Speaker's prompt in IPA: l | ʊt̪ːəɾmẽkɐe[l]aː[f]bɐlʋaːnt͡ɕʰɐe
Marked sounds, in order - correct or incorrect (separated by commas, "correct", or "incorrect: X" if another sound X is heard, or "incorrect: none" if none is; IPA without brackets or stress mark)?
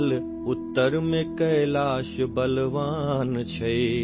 correct, incorrect: ʃ